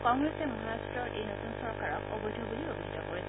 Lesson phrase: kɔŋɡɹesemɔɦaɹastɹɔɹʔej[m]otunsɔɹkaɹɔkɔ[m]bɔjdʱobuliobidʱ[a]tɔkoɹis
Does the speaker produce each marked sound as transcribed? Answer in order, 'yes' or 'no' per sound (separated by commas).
no, no, no